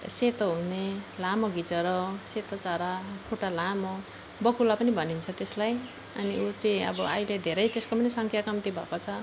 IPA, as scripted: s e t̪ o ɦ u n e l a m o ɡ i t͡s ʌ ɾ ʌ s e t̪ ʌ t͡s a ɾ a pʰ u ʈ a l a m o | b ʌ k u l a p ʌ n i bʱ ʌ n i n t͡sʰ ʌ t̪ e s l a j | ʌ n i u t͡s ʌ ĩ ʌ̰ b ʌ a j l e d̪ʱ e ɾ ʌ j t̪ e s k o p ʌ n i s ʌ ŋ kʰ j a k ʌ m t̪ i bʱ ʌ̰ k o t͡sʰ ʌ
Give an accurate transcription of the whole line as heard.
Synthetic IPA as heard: s e t̪ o ɦ u n e l a m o ɡ i t͡s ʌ ɾ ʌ s e t̪ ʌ t͡s a ɾ a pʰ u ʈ a l a m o | b ʌ k u l a p ʌ n i bʱ ʌ n i n t͡sʰ ʌ t̪ e s l a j | ʌ n i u t͡s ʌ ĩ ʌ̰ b ʌ a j l e d̪ʱ e ɾ ʌ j t̪ e s k o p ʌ n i s ʌ ŋ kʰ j a k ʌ m t̪ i bʱ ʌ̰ k o t͡sʰ ʌ

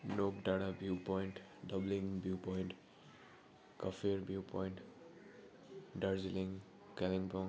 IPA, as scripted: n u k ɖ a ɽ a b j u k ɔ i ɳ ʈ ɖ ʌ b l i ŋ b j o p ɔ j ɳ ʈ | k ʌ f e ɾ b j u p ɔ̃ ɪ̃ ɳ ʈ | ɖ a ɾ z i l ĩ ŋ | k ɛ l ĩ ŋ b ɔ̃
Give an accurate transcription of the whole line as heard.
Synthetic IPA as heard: n o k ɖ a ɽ a b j u p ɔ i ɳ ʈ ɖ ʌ b l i ŋ b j u p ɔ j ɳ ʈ | k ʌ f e ɾ b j u p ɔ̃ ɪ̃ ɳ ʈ | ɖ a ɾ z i l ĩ ŋ | k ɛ l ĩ ŋ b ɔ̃

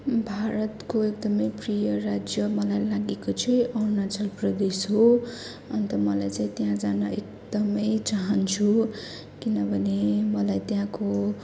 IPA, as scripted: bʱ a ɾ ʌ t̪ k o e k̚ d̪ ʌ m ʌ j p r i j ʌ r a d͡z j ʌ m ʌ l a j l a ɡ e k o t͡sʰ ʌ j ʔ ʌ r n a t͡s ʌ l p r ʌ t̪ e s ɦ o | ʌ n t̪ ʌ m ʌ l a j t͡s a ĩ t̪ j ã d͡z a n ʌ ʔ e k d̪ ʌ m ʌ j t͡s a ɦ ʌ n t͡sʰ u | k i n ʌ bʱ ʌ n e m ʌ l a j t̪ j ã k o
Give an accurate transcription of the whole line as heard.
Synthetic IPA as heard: bʱ a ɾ ʌ t̪ k o e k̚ d̪ ʌ m ʌ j p r i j ʌ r a d͡z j ʌ m ʌ l a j l a ɡ e k o t͡sʰ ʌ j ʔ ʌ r n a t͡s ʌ l p r ʌ d̪ e s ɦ o | ʌ n t̪ ʌ m ʌ l a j t͡s a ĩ t̪ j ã d͡z a n ʌ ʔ e k d̪ ʌ m ʌ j t͡s a ɦ ʌ n t͡sʰ u | k i n ʌ bʱ ʌ n e m ʌ l a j t̪ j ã k o

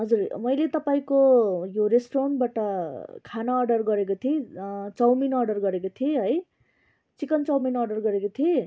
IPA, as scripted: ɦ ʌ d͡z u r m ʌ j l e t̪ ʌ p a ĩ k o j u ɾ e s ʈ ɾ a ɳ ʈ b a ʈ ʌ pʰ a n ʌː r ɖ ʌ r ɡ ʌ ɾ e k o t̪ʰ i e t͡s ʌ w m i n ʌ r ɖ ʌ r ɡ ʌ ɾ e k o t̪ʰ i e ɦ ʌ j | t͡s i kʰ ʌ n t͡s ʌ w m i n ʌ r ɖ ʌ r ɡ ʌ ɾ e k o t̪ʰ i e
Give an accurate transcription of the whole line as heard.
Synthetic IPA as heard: ɦ ʌ d͡z u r m ʌ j l e t̪ ʌ p a ĩ k o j o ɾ e s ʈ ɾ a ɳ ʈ b a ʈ ʌ kʰ a n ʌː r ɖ ʌ r ɡ ʌ ɾ e k o t̪ʰ i e t͡s ʌ w m i n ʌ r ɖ ʌ r ɡ ʌ ɾ e k o t̪ʰ i e ɦ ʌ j | t͡s i k ʌ n t͡s ʌ w m i n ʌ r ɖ ʌ r ɡ ʌ ɾ e k o t̪ʰ i e

